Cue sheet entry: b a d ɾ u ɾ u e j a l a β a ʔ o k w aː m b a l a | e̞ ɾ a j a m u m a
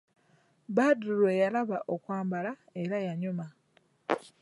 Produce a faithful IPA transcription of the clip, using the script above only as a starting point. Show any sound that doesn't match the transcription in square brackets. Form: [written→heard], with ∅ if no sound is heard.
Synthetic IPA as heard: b a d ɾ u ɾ [u→w] e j a l a β a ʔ o k w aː m b a l a | e̞ ɾ a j a [m→ɲ] u m a